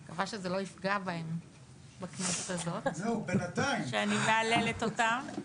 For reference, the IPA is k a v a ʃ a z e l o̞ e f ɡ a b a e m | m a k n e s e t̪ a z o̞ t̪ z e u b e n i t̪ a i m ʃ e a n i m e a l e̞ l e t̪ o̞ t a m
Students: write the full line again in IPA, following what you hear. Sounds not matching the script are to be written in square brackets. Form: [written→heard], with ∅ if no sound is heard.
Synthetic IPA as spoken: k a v a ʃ [a→e] z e l o̞ [e→i] f ɡ a b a e m | [m→b] a k n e s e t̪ a z o̞ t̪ z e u b e n [i→a] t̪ a i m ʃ e a n i m e a l e̞ l e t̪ o̞ t a m